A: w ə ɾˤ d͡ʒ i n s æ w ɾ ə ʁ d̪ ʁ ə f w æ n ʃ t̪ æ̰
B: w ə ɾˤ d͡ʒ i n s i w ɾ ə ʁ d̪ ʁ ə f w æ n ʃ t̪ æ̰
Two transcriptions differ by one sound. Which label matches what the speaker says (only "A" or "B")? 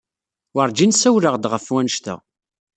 A